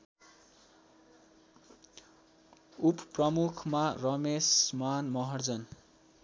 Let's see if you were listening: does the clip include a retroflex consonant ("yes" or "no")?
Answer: no